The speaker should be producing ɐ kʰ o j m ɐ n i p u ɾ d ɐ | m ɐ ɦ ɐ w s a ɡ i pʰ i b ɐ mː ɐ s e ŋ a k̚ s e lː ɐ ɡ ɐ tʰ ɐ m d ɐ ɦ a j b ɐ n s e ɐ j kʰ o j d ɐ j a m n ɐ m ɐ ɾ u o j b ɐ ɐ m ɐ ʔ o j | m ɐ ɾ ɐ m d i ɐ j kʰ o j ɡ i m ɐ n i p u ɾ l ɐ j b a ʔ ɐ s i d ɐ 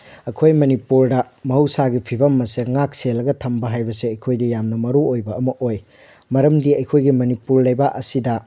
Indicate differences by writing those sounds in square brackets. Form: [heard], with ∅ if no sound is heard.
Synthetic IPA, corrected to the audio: ɐ kʰ o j m ɐ n i p u ɾ d ɐ | m ɐ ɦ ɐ w s a ɡ i pʰ i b ɐ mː ɐ s e ŋ a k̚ s e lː ɐ ɡ ɐ tʰ ɐ m [b] ɐ ɦ a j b ɐ [∅] s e ɐ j kʰ o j d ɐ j a m n ɐ m ɐ ɾ u o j b ɐ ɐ m ɐ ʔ o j | m ɐ ɾ ɐ m d i ɐ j kʰ o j ɡ i m ɐ n i p u ɾ l ɐ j b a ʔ ɐ s i d ɐ

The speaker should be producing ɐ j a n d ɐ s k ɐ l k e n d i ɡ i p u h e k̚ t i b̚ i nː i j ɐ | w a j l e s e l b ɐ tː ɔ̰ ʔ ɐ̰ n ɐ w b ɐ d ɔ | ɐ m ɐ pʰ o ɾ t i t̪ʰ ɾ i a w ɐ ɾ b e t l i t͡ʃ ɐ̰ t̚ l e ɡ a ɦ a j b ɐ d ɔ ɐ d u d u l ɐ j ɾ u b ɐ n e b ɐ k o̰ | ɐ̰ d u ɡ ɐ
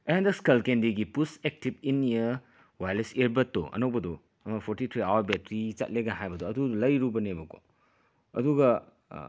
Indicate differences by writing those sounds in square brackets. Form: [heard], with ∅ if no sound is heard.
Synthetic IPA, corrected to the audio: ɐ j a n d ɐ s k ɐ l k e n d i ɡ i p u [s] e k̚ t i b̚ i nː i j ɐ | w a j l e s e [ɾ] b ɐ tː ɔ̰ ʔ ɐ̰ n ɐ w b ɐ d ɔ | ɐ m ɐ pʰ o ɾ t i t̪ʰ ɾ i a w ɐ ɾ b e t [ɾ] i t͡ʃ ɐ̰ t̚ l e ɡ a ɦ a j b ɐ d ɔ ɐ d u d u l ɐ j ɾ u b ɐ n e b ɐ k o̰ | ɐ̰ d u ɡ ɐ

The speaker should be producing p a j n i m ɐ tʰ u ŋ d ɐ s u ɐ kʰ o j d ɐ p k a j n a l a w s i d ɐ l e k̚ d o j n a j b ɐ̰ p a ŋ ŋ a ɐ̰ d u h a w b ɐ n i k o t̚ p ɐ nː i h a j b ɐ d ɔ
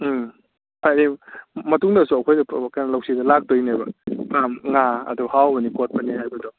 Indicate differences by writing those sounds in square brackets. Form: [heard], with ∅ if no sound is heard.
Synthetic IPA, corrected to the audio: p a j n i m ɐ [t] u ŋ d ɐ s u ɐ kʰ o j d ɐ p k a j n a l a w s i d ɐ l [a] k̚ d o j n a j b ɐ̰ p a [m] ŋ a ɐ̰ d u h a w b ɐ n i k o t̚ p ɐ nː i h a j b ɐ d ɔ

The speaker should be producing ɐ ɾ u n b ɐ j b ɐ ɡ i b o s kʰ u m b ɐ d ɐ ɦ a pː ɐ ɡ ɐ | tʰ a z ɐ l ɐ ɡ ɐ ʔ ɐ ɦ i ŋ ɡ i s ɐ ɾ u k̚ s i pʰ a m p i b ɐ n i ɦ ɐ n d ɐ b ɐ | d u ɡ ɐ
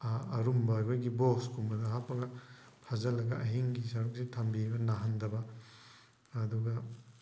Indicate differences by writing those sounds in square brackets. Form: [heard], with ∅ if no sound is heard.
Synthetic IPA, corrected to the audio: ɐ ɾ u [m] b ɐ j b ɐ ɡ i b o s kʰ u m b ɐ d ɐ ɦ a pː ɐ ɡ ɐ | [pʰ] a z ɐ l ɐ ɡ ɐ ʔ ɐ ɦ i ŋ ɡ i s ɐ ɾ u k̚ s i [tʰ] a m [b] i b ɐ n [a] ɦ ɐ n d ɐ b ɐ | d u ɡ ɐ

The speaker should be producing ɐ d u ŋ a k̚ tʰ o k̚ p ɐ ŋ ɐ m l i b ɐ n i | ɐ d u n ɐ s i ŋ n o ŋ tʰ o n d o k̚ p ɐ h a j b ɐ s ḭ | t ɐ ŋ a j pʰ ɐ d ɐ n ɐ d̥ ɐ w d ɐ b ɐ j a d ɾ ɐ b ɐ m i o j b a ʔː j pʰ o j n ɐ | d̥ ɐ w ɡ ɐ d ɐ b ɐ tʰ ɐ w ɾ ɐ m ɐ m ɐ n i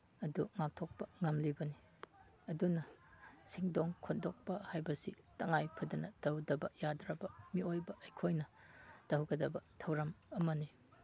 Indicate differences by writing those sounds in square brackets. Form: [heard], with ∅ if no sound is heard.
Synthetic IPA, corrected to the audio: ɐ d u ŋ a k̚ tʰ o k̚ p ɐ ŋ ɐ m l i b ɐ n i | ɐ d u n ɐ s i ŋ [d] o ŋ [kʰ] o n d o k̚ p ɐ h a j b ɐ s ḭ | t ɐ ŋ a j pʰ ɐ d ɐ n ɐ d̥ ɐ w d ɐ b ɐ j a d ɾ ɐ b ɐ m i o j b [ɐ] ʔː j [kʰ] o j n ɐ | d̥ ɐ w ɡ ɐ d ɐ b ɐ tʰ ɐ w ɾ ɐ m ɐ m ɐ n i

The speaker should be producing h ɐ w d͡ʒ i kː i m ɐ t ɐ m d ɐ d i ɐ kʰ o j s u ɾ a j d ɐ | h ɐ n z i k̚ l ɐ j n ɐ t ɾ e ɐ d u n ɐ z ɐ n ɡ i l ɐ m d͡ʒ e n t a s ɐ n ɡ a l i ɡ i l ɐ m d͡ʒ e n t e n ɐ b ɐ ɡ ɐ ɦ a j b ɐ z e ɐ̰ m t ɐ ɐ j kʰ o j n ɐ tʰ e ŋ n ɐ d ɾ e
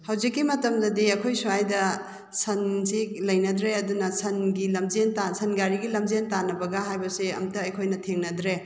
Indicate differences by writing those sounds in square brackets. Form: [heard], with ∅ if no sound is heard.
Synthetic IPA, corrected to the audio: h ɐ w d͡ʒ i kː i m ɐ t ɐ m d ɐ d i ɐ kʰ o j s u [∅] a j d ɐ | [s] ɐ n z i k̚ l ɐ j n ɐ [d] ɾ e ɐ d u n ɐ [s] ɐ n ɡ i l ɐ m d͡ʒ e n t a s ɐ n ɡ a [ɾ] i ɡ i l ɐ m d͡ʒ e n t [a] n ɐ b ɐ ɡ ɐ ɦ a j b ɐ [s] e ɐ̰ m t ɐ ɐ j kʰ o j n ɐ tʰ e ŋ n ɐ d ɾ e

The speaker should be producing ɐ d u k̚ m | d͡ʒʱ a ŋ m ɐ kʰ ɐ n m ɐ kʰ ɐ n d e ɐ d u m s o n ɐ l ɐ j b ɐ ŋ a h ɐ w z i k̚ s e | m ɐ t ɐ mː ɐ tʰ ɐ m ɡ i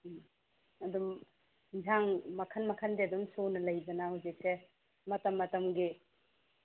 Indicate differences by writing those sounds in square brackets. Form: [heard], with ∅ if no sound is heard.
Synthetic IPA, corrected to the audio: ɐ d u [∅] m | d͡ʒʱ a ŋ m ɐ kʰ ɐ n m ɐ kʰ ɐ n d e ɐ d u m s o n ɐ l ɐ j b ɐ [n] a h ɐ w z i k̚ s e | m ɐ t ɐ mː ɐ [t] ɐ m ɡ i

